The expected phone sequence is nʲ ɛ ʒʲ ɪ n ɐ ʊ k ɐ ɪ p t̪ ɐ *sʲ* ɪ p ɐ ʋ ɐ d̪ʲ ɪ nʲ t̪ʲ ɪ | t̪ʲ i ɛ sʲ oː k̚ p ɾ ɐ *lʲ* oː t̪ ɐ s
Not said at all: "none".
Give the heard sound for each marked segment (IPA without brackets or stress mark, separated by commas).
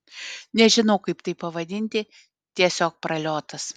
none, lʲ